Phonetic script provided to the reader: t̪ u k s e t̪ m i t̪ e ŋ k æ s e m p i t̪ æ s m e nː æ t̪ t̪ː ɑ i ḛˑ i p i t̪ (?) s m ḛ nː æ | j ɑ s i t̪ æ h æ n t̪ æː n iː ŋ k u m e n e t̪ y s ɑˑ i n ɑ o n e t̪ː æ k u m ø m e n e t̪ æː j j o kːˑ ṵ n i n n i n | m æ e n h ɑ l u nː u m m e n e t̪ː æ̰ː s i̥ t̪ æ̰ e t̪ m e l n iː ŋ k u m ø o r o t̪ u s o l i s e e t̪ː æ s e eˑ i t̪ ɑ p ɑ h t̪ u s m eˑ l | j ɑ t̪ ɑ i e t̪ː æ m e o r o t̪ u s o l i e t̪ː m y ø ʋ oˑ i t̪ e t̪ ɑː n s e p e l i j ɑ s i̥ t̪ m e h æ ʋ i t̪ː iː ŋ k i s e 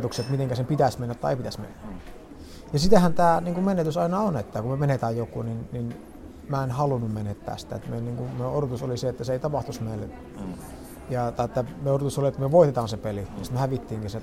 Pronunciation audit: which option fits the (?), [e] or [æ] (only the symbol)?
æ